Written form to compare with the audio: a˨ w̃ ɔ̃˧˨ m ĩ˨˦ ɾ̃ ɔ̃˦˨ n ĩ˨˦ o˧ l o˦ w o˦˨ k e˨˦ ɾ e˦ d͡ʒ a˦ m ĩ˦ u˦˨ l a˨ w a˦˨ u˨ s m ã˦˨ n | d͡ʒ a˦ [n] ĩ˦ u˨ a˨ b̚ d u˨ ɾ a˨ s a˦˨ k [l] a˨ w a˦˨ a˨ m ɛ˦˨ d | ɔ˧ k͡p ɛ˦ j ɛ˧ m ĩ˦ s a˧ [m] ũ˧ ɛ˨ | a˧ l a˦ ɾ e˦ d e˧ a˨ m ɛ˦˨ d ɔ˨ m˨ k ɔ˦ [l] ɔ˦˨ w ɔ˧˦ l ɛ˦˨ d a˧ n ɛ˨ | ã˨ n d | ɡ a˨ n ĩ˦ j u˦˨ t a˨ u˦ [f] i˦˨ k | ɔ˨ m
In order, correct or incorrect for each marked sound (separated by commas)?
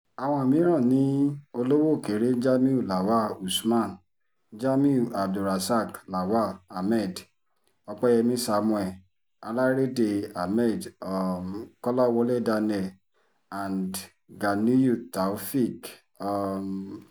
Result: incorrect, correct, correct, correct, correct